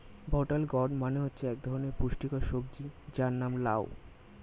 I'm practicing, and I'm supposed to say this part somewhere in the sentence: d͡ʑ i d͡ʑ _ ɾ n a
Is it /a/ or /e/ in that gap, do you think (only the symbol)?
a